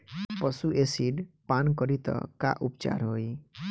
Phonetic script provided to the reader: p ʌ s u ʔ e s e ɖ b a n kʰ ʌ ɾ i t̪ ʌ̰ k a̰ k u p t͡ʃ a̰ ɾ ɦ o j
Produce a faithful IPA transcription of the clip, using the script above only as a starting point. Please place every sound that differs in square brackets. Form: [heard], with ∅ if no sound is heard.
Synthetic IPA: p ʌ s u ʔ e s [i] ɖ [p] a n [k] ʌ ɾ i t̪ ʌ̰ k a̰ [ʔ] u p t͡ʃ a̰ ɾ ɦ o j

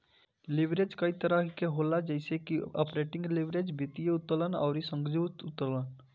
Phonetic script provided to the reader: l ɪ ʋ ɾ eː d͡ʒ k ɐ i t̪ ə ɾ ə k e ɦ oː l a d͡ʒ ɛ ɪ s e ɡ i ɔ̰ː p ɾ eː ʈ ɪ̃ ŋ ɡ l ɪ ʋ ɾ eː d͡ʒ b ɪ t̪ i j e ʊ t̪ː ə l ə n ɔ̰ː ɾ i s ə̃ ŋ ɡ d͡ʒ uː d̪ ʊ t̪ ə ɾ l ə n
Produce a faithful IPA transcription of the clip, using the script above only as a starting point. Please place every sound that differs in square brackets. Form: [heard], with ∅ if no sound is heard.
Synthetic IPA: l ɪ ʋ ɾ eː d͡ʒ k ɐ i t̪ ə ɾ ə k e ɦ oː l a d͡ʒ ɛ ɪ s e [k] i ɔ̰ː p ɾ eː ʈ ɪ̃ ŋ ɡ l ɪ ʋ ɾ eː d͡ʒ b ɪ t̪ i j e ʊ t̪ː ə l ə n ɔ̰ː ɾ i s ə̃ ŋ ɡ d͡ʒ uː [t̪] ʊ t̪ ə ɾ l ə n

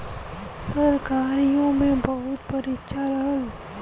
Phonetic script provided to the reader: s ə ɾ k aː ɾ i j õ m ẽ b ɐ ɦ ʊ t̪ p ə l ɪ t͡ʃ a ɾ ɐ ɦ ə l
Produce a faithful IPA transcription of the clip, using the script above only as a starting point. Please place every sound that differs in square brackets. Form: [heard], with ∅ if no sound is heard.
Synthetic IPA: s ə ɾ k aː ɾ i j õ m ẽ b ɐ ɦ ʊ t̪ p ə [ɾ] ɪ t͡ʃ a ɾ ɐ ɦ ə l

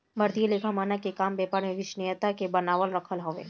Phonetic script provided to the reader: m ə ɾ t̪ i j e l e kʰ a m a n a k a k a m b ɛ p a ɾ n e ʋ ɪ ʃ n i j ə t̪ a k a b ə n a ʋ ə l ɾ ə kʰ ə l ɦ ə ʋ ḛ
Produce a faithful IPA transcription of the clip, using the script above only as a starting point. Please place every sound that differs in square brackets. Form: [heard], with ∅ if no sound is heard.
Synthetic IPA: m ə ɾ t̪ i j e l e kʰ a m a n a k [e] k a m b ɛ p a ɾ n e ʋ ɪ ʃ n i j ə t̪ a k [e] b ə n a ʋ ə l ɾ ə kʰ ə l ɦ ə ʋ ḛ

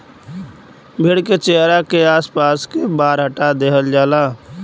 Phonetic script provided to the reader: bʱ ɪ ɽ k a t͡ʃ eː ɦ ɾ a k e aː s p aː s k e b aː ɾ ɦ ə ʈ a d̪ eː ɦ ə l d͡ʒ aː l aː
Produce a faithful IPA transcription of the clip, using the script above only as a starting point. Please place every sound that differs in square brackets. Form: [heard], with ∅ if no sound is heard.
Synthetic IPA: bʱ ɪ ɽ k [e] t͡ʃ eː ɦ ɾ a k e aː s p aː s k e b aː ɾ ɦ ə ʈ a d̪ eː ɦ ə l d͡ʒ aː l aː

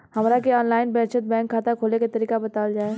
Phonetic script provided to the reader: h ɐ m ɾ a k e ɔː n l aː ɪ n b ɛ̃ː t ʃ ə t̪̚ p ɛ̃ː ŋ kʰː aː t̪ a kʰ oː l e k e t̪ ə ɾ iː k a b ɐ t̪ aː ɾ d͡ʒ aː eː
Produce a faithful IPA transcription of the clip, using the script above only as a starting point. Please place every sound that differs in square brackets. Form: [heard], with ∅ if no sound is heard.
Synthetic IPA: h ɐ m ɾ a k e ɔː n l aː ɪ n b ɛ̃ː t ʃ ə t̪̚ [b] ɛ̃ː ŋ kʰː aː t̪ a kʰ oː l e k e t̪ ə ɾ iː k a b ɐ t̪ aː [l] d͡ʒ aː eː

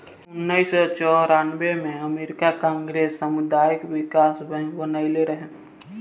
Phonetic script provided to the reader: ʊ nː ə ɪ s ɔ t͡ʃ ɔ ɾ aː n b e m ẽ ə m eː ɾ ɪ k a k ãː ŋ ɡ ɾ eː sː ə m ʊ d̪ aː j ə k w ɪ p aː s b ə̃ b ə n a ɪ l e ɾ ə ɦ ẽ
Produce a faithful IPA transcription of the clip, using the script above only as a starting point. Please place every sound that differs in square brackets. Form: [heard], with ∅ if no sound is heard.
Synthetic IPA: ʊ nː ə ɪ s ɔ t͡ʃ ɔ ɾ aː n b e m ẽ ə m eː ɾ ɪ k a k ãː ŋ ɡ ɾ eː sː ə m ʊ d̪ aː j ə k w ɪ [k] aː s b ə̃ b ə n a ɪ l e ɾ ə ɦ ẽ

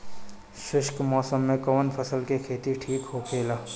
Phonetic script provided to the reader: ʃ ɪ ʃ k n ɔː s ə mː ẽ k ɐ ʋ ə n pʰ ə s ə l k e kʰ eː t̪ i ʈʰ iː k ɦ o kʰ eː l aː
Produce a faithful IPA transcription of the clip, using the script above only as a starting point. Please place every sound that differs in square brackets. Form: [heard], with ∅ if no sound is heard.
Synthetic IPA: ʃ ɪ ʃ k [m] ɔː s ə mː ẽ k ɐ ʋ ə n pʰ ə s ə l k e kʰ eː t̪ i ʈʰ iː k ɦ o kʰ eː l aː

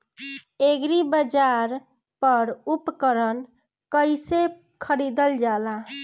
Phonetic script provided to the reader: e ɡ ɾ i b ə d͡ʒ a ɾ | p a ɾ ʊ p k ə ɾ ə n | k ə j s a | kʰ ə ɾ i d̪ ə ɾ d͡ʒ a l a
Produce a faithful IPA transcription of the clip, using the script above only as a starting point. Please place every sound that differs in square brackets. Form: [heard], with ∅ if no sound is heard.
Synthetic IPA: e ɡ ɾ i b ə d͡ʒ a ɾ | p [ə] ɾ [u] p k ə ɾ ə n | k ə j s [e] | kʰ ə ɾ i d̪ ə [l] d͡ʒ a l a

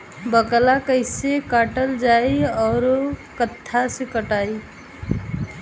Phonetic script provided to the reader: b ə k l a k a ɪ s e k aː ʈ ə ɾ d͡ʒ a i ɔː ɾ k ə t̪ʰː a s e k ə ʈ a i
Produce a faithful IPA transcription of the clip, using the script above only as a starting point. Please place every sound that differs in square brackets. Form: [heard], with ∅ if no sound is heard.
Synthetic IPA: b ə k l a k [ə] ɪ s e k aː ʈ ə [l] d͡ʒ a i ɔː ɾ k ə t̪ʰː a s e k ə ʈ a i

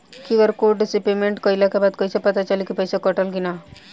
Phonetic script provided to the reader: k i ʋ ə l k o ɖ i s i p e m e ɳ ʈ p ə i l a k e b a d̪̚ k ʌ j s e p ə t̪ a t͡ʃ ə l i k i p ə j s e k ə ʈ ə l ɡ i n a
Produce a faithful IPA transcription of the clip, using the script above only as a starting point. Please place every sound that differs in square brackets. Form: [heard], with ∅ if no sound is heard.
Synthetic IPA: k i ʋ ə [ɾ] k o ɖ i s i p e m e ɳ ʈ [k] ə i l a k e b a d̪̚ k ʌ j s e p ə t̪ a t͡ʃ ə l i k i p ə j s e k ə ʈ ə l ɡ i n a

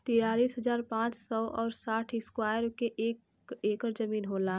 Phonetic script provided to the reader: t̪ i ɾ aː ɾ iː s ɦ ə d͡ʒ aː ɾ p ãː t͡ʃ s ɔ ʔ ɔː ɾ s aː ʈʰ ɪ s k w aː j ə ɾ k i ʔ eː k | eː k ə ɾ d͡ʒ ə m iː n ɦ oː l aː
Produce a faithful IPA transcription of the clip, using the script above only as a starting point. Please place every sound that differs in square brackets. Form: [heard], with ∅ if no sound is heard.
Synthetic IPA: t̪ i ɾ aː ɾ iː s ɦ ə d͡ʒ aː ɾ p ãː t͡ʃ s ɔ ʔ ɔː ɾ s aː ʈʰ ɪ s k w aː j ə ɾ k [e] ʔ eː k | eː k ə ɾ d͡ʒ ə m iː n ɦ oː l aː

